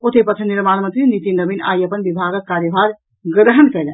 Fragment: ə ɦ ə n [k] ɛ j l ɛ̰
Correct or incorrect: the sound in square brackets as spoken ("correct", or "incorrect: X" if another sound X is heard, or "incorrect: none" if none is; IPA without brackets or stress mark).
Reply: correct